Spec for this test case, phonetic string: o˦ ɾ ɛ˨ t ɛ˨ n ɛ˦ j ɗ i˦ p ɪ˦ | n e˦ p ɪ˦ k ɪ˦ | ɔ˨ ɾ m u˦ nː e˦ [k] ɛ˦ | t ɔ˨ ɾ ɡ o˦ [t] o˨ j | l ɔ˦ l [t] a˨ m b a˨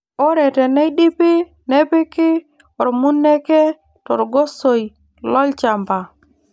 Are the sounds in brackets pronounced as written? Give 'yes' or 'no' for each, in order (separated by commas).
yes, no, no